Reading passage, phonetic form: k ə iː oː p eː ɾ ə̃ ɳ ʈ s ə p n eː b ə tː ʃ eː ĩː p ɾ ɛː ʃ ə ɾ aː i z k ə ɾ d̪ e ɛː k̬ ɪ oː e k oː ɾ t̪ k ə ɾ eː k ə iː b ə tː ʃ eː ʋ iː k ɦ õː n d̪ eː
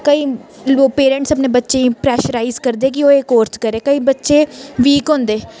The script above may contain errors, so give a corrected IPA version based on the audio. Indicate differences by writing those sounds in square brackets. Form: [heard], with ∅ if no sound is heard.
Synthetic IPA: k ə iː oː p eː ɾ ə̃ ɳ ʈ s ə p n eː b ə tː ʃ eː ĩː p ɾ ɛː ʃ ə ɾ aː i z k ə ɾ d̪ e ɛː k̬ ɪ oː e k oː ɾ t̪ k ə ɾ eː k ə iː b ə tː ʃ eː ʋ iː k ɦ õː n d̪ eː